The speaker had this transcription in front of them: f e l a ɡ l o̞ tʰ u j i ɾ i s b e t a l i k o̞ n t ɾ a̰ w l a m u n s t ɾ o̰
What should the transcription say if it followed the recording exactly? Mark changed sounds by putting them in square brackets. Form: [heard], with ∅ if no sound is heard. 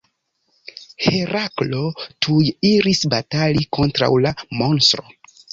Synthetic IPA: [h] e [ɾ] a [k] l o̞ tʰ u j i ɾ i s b [a] t a l i k o̞ n t ɾ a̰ w l a m [o] n s t ɾ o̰